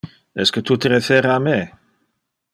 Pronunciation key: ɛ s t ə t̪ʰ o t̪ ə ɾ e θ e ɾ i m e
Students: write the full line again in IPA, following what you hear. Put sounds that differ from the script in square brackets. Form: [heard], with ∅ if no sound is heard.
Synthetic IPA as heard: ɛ s [k] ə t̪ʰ [u] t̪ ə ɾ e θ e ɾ [a] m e